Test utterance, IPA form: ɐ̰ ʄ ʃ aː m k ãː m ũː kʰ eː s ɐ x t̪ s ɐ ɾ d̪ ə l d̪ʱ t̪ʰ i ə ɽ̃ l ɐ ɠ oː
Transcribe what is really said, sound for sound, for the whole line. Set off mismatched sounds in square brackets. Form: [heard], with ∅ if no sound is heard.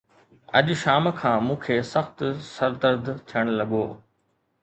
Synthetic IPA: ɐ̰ ʄ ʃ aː m [kʰ] ãː m ũː kʰ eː s ɐ x t̪ s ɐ ɾ d̪ ə [ɾ] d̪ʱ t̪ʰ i ə ɽ̃ l ɐ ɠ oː